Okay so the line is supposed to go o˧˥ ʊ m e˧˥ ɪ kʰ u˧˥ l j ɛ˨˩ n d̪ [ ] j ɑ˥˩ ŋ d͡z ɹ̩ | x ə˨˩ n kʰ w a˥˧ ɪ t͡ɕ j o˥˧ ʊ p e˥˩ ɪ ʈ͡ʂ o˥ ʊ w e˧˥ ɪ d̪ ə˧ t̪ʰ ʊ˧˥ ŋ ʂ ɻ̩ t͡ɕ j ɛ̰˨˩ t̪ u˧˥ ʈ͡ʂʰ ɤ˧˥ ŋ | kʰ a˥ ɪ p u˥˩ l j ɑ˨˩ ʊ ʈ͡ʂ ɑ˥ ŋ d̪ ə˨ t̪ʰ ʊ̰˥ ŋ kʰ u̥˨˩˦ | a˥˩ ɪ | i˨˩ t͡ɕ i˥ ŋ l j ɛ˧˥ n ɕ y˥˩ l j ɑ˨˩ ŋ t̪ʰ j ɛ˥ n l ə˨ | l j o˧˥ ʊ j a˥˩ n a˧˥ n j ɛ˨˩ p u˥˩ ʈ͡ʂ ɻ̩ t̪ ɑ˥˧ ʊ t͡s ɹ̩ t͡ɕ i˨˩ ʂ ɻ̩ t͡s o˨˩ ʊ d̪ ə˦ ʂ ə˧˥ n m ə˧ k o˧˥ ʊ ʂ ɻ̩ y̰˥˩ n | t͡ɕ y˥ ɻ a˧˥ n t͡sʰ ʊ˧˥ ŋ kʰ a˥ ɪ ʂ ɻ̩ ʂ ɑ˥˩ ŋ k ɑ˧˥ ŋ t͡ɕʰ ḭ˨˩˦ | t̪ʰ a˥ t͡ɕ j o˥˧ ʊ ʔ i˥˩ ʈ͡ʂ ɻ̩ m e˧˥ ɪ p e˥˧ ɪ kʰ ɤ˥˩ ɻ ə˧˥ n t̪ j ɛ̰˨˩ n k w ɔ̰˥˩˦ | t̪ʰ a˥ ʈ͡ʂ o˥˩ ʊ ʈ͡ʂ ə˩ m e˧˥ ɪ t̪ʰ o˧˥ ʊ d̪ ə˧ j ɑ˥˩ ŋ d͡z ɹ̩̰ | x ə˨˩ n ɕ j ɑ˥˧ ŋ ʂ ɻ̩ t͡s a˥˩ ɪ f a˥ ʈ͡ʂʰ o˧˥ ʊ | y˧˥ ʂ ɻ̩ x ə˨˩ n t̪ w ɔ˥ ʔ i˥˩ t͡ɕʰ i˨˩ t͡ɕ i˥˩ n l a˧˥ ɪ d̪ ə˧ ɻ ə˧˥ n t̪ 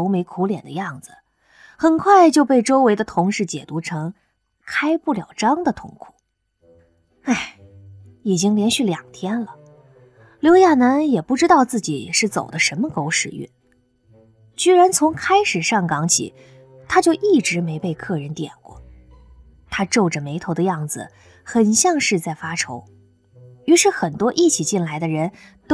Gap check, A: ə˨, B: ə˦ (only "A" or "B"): B